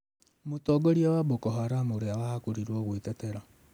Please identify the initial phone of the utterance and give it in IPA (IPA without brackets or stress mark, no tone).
m